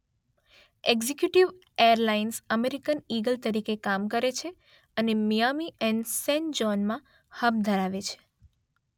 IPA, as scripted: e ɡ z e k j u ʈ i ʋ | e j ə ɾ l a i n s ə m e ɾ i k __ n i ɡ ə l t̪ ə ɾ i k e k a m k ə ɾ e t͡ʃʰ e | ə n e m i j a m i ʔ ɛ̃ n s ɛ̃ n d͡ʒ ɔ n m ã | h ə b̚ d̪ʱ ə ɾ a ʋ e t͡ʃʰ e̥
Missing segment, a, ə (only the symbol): ə